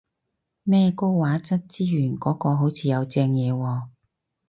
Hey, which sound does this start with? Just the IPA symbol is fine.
m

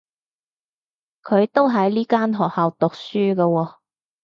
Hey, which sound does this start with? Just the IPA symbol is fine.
kʰ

